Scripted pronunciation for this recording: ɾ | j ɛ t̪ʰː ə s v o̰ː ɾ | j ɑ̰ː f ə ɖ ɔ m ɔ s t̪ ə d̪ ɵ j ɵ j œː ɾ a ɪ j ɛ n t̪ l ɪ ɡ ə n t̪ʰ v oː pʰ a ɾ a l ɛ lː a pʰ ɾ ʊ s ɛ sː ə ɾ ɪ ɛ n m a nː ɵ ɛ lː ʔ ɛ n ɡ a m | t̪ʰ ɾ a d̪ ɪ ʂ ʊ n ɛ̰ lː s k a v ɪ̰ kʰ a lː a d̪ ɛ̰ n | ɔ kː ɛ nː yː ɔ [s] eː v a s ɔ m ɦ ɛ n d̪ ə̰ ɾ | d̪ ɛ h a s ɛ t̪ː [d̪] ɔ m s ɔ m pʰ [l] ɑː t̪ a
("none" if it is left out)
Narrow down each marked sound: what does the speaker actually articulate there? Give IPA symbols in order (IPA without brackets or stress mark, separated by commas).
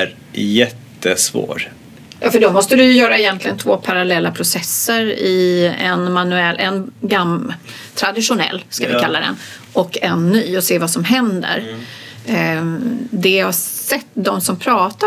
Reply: s, d̪, ɾ